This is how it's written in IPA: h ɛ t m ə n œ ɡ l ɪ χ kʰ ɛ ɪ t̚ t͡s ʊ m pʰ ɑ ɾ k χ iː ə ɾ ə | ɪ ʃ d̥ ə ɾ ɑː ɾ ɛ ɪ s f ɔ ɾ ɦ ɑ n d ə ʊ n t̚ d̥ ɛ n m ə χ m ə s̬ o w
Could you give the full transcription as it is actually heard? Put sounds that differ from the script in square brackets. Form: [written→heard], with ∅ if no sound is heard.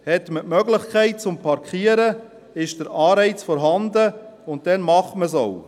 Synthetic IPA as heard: h ɛ t m ə [n→m] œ ɡ l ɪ χ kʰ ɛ ɪ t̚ t͡s ʊ m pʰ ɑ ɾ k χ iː ə ɾ ə | ɪ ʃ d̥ ə ɾ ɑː ɾ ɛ ɪ [s→t͡s] f ɔ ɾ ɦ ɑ n d ə ʊ n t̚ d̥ ɛ n m [ə→ɑ] χ m ə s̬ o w